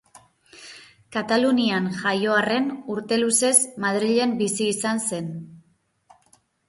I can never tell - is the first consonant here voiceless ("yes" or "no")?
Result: yes